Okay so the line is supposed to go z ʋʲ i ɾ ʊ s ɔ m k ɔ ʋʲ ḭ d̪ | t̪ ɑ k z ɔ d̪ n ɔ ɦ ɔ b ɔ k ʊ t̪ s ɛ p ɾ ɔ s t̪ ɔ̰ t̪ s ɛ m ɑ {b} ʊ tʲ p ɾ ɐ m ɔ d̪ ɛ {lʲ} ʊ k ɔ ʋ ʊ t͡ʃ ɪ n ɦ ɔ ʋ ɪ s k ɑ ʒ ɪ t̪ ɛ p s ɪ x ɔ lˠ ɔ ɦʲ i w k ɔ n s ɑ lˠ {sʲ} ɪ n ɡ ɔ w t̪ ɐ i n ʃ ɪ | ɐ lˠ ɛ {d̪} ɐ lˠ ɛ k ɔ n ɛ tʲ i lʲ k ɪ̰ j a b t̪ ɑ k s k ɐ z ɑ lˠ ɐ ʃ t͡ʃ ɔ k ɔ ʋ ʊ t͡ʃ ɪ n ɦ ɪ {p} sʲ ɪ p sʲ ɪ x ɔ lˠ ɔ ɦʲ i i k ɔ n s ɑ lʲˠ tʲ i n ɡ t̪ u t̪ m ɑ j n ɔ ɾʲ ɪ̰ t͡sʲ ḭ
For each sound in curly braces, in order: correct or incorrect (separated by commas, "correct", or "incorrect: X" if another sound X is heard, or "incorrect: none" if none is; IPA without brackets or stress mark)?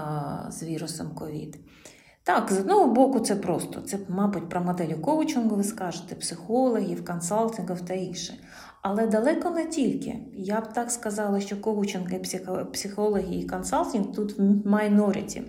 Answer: correct, correct, incorrect: tʲ, correct, correct